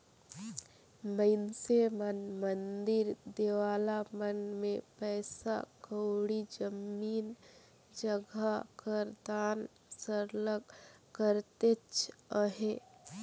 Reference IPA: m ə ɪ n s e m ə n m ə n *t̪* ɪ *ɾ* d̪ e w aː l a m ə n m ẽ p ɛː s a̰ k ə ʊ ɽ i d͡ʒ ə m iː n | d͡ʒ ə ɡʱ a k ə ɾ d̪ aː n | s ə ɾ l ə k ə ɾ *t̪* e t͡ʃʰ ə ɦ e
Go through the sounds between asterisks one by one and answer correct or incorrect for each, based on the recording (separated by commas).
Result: incorrect, correct, correct